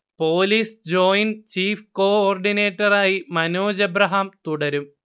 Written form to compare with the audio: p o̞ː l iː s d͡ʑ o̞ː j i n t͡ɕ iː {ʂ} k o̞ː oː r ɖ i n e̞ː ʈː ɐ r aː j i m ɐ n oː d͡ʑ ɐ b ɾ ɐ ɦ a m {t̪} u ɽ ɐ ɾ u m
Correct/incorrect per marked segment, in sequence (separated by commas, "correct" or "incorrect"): incorrect, correct